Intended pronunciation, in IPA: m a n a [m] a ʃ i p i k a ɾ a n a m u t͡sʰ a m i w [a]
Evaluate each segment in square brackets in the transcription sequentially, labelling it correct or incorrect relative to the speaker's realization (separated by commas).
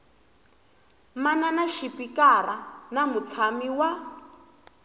incorrect, correct